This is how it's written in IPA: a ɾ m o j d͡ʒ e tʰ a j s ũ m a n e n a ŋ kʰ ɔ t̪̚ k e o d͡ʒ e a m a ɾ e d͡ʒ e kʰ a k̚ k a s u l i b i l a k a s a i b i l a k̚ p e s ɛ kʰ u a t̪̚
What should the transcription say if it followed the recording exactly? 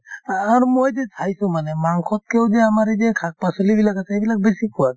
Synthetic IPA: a ɾ m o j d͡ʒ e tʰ a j s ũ m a n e m a ŋ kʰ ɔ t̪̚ k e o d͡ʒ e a m a ɾ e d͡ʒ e kʰ a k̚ p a s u l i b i l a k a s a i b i l a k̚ b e s i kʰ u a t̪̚